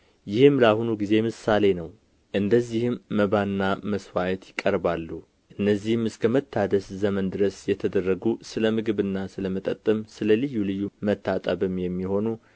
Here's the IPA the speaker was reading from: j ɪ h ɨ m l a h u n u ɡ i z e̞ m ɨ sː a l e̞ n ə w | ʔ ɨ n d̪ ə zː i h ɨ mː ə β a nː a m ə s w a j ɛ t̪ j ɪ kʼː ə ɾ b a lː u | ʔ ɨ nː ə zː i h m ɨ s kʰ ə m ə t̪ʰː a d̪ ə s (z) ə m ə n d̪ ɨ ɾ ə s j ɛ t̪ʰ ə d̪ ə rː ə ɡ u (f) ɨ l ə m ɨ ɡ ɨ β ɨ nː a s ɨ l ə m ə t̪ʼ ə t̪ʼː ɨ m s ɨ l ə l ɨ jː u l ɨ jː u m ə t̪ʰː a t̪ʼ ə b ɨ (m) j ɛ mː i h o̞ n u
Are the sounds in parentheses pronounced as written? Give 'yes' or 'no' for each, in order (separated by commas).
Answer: yes, no, yes